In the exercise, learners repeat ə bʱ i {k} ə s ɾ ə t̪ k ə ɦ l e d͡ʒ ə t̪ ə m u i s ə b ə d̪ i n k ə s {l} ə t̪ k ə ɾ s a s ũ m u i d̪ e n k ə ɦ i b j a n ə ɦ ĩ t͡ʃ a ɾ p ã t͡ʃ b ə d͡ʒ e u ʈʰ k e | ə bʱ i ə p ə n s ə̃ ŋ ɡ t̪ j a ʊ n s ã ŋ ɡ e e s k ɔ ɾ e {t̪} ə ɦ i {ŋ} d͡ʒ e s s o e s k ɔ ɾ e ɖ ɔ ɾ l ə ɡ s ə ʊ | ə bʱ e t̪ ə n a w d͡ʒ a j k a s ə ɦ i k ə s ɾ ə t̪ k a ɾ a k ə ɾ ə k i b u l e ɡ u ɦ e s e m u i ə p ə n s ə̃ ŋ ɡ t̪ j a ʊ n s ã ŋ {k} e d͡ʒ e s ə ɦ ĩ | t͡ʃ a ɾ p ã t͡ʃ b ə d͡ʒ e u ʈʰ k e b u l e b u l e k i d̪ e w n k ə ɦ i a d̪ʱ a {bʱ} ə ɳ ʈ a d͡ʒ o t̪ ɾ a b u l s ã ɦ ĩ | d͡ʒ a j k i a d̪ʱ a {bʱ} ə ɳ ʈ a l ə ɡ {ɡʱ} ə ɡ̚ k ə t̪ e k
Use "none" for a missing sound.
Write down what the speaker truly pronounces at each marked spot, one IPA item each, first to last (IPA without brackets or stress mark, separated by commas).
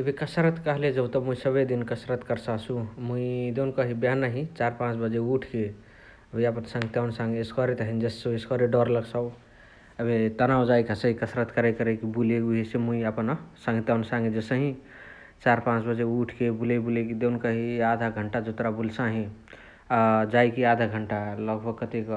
k, ɾ, t̪, n, ɡ, ɡʱ, ɡʱ, bʱ